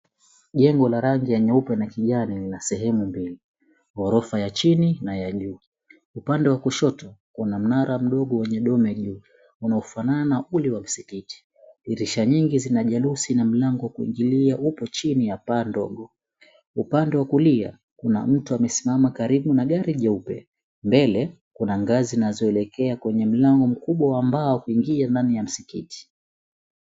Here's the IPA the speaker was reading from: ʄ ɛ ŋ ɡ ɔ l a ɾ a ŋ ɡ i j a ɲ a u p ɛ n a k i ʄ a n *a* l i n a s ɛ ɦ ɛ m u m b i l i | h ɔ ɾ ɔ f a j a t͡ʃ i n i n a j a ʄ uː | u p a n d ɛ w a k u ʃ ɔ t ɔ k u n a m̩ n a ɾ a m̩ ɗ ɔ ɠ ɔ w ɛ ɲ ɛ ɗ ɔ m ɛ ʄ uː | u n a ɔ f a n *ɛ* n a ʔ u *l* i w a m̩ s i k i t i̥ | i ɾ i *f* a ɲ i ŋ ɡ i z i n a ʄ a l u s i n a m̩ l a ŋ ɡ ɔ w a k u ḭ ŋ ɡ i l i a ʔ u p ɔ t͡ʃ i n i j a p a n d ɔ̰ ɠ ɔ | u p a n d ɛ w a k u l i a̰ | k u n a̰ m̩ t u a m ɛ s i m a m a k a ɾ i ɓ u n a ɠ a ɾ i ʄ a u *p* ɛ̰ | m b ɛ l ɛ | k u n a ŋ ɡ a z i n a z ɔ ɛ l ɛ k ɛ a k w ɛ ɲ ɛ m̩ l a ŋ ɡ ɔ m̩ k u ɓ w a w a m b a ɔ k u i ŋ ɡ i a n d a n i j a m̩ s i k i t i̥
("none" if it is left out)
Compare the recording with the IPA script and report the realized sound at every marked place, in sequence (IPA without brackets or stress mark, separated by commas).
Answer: i, a, l, ʃ, p